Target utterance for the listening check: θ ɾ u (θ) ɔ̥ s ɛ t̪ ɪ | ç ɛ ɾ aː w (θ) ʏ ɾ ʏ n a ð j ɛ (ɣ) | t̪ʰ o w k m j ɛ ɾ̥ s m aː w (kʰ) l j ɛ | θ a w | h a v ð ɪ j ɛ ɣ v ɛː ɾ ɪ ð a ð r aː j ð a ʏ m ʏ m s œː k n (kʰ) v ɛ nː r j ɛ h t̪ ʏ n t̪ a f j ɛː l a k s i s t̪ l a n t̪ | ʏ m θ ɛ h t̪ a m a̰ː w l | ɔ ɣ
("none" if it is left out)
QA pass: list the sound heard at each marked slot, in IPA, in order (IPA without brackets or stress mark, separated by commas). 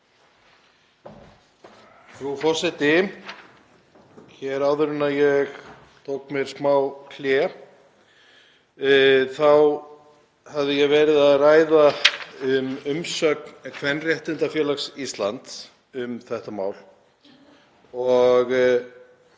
f, ð, ɣ, kʰ, kʰ